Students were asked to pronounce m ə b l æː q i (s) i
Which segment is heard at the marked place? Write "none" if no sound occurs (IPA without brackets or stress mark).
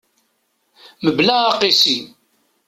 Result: s